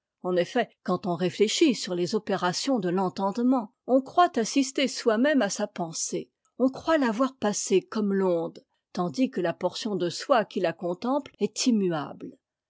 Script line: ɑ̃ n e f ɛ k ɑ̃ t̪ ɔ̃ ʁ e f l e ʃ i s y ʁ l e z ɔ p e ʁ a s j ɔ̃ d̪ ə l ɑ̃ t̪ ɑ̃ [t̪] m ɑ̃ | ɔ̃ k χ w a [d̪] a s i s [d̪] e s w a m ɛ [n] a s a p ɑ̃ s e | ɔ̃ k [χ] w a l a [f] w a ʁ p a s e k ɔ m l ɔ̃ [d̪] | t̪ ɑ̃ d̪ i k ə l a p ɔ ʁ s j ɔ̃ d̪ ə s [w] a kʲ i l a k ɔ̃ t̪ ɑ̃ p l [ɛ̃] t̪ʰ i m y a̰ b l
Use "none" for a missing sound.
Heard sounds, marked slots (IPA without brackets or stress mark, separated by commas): d̪, t̪, t̪, m, χ, v, d̪, w, ɛ